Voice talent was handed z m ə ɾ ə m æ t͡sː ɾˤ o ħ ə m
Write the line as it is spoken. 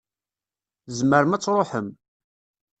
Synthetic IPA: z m ə ɾ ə m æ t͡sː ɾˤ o ħ ə m